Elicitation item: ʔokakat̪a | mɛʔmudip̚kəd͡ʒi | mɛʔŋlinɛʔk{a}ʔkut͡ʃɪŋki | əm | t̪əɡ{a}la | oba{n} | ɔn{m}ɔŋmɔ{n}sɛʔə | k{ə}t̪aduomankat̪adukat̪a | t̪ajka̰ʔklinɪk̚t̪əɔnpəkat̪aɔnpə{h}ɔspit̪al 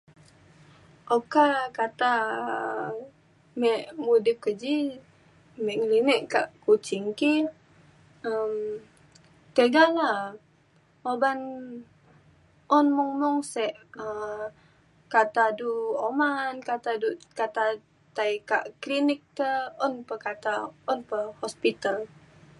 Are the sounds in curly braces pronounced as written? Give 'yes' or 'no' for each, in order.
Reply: yes, yes, yes, yes, no, no, yes

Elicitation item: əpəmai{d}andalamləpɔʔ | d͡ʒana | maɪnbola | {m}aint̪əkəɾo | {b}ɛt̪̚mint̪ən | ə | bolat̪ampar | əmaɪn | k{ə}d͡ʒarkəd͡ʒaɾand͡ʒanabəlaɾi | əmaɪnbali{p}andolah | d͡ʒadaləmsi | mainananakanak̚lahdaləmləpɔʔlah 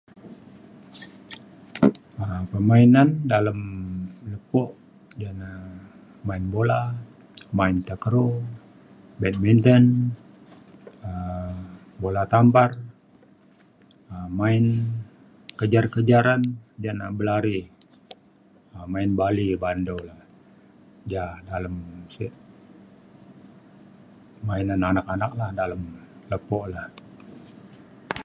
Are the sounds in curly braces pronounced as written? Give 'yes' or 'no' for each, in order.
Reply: no, yes, yes, yes, no

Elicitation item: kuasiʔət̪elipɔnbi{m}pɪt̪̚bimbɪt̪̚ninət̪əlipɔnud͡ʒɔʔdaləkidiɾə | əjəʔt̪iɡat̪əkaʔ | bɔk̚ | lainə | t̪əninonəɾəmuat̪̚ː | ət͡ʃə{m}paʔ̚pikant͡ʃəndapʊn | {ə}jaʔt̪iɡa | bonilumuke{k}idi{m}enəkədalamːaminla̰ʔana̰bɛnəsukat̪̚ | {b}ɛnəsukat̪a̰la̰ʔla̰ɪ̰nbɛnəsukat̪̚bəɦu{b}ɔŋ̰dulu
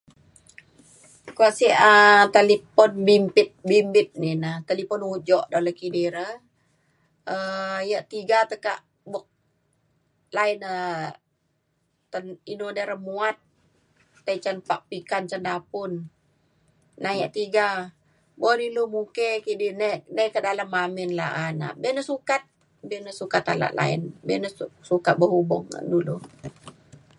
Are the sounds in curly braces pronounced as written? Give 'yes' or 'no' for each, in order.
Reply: yes, no, no, yes, no, yes, yes

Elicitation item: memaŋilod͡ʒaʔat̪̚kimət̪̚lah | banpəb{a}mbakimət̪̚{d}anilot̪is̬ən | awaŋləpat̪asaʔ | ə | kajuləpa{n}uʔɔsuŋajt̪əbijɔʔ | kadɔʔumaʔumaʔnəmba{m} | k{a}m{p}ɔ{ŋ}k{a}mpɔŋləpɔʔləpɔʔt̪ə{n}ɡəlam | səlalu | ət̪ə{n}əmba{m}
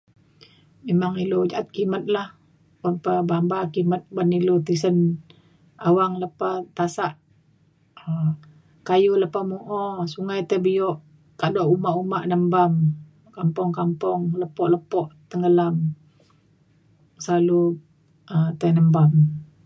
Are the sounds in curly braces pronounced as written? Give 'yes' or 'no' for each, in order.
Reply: yes, no, no, yes, yes, yes, yes, yes, no, yes, yes

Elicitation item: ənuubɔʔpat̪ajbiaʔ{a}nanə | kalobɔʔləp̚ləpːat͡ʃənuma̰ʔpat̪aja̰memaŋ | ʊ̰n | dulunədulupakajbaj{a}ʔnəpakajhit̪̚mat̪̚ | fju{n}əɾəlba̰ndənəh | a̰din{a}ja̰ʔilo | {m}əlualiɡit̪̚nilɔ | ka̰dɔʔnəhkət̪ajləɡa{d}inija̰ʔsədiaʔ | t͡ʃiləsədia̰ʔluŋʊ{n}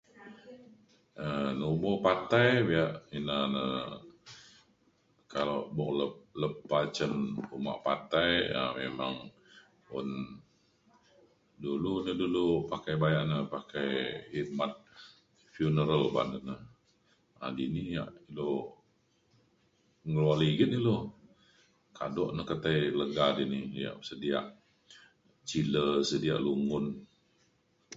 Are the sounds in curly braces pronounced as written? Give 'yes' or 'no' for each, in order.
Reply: no, yes, yes, no, no, yes, yes

